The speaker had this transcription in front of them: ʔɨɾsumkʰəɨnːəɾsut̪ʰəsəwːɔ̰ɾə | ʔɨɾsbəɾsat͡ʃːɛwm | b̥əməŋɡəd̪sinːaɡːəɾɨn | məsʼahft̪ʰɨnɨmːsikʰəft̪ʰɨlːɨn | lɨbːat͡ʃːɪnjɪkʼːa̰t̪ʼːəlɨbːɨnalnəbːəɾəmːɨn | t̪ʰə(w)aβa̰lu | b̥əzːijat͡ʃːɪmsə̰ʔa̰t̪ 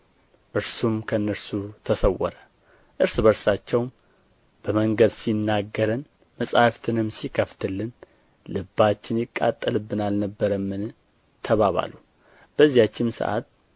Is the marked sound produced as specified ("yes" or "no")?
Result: no